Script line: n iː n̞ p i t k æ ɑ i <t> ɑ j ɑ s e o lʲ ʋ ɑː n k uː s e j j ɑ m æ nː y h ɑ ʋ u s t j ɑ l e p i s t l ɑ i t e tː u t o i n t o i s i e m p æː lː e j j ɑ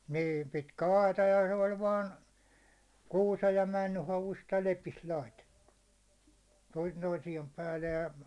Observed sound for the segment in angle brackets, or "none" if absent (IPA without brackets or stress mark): t